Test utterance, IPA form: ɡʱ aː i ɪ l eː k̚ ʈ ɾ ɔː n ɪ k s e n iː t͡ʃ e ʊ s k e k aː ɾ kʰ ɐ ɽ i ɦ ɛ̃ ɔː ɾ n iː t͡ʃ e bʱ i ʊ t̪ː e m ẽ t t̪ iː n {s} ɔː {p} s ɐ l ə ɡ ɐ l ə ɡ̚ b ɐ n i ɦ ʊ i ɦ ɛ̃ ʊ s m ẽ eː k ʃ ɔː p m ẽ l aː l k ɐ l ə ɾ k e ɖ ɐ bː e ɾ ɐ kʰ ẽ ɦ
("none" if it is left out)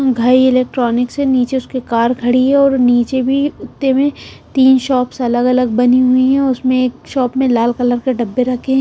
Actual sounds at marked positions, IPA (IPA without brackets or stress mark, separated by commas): ʃ, p